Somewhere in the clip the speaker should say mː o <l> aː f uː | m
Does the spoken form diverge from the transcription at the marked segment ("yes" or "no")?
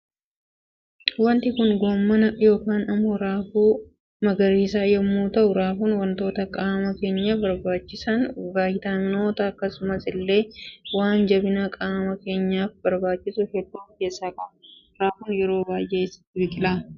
yes